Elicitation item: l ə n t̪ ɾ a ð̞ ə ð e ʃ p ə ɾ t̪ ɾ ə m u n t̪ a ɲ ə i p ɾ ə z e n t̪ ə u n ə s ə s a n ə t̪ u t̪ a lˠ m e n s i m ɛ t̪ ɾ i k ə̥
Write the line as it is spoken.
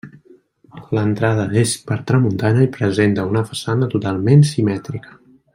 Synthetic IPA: l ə n t̪ ɾ a ð̞ ə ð e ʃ p ə ɾ t̪ ɾ ə m u n t̪ a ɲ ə i p ɾ ə z e n t̪ ə u n ə f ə s a n ə t̪ u t̪ a lˠ m e n s i m ɛ t̪ ɾ i k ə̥